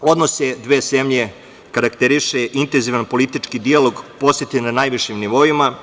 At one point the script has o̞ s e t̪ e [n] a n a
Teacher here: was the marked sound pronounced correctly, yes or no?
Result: yes